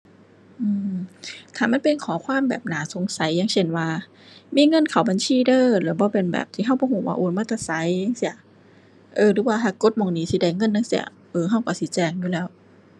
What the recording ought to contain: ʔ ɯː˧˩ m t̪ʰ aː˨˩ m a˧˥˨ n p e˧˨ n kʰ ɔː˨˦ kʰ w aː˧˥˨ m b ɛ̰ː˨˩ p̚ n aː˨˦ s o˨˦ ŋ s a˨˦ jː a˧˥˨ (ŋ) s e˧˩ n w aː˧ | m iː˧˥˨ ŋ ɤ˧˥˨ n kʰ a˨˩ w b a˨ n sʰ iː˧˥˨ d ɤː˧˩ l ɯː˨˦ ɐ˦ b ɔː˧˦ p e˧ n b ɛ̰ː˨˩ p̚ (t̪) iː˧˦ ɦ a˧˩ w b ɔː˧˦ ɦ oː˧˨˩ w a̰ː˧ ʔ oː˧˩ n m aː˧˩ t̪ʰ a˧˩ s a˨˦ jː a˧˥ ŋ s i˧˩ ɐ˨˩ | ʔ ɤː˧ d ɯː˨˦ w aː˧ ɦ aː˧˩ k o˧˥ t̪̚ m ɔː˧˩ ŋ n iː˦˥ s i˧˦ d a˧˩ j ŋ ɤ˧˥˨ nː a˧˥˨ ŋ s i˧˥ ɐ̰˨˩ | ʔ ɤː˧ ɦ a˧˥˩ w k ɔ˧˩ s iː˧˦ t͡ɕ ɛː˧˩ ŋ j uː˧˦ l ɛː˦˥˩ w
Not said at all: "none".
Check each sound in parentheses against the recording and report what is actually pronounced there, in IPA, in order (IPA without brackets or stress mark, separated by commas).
ŋ, t̪ʰ